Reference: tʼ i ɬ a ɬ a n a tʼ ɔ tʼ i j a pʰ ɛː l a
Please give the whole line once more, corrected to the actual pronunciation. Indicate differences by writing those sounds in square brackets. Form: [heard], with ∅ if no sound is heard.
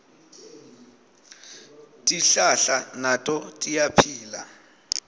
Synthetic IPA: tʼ i ɬ a ɬ a n a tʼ ɔ tʼ i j a pʰ [iː] l a